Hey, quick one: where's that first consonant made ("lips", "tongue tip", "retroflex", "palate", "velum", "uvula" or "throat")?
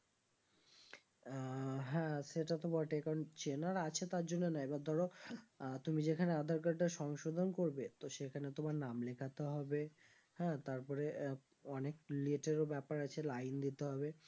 throat